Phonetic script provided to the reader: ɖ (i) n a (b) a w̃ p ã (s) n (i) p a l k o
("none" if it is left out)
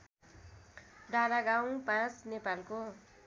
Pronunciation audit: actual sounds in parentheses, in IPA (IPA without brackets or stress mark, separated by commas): a, ɡ, t͡s, e